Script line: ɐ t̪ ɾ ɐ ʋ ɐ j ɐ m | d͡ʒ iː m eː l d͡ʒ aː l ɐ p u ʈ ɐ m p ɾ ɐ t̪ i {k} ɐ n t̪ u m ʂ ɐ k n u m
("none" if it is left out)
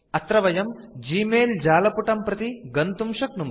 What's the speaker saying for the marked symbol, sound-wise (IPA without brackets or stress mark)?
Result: ɡ